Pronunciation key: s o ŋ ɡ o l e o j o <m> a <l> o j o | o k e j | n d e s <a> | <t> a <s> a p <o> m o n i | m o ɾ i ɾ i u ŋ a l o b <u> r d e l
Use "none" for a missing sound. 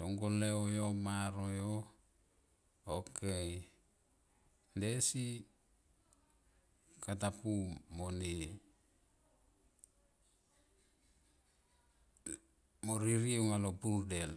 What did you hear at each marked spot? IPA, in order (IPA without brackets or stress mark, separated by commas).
m, ɾ, i, k, t, u, u